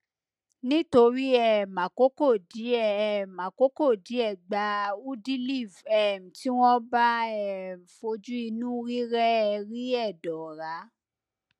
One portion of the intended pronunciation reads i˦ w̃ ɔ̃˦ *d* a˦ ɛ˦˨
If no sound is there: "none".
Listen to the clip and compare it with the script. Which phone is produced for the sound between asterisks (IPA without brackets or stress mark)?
b